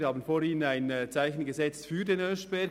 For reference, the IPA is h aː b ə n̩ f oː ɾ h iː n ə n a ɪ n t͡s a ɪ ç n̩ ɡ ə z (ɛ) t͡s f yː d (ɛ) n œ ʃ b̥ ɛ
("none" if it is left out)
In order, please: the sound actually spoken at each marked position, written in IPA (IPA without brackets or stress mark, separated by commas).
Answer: ɛ, e